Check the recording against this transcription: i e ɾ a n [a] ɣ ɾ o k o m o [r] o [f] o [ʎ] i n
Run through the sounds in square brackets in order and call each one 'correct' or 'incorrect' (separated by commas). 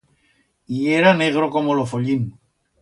incorrect, incorrect, correct, correct